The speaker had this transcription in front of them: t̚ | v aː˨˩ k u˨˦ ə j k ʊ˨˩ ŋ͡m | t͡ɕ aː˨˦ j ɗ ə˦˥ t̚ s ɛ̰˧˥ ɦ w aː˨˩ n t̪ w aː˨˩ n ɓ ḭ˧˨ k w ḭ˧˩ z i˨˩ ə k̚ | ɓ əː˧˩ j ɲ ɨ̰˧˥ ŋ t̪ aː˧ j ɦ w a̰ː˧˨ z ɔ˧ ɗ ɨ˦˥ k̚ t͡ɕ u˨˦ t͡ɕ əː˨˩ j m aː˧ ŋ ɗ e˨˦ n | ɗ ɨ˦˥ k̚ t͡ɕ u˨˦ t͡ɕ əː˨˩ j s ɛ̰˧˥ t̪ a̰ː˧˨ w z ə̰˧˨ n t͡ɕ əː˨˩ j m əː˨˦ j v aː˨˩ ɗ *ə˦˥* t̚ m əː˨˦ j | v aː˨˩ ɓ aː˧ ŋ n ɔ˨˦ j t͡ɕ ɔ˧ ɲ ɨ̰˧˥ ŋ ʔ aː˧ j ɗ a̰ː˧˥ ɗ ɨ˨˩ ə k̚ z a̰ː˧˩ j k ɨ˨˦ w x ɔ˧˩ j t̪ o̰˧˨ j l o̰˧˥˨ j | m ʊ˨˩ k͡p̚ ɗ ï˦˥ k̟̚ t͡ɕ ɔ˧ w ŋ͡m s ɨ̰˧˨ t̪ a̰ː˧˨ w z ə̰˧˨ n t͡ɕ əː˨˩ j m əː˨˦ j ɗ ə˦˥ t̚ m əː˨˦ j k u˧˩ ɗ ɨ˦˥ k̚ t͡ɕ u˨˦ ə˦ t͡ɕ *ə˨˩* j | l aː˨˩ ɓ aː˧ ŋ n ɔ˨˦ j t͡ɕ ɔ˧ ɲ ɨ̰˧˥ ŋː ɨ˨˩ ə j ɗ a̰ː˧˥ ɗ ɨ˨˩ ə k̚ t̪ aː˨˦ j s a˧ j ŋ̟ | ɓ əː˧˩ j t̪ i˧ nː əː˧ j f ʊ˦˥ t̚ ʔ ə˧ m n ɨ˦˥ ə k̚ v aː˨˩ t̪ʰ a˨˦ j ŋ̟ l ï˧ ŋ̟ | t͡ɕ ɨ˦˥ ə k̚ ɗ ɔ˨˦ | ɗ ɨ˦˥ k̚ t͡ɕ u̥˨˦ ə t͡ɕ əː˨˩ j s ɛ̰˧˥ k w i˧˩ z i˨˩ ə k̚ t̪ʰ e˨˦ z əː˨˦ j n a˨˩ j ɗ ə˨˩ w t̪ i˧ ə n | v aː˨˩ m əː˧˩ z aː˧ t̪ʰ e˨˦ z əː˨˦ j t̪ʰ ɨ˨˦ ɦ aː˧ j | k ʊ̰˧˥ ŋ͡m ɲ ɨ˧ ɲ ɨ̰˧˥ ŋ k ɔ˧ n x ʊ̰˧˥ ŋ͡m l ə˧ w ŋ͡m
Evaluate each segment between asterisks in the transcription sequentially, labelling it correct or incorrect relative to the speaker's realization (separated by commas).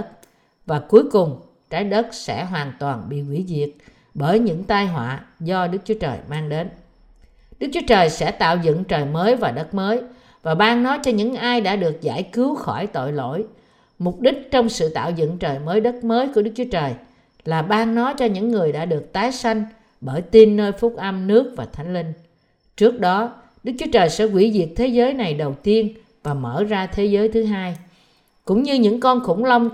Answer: correct, incorrect